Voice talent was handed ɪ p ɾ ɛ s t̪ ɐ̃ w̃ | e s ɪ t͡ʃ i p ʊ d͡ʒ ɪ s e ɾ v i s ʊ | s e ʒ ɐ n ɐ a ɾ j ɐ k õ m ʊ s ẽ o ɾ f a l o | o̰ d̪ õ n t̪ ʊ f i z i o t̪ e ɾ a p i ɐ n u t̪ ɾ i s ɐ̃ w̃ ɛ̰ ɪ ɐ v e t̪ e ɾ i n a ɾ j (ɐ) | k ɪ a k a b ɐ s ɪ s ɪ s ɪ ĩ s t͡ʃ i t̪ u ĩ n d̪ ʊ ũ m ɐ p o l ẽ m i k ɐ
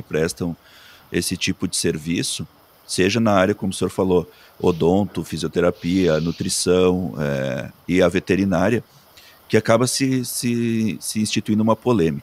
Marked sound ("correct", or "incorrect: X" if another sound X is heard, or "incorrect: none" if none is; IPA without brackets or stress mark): correct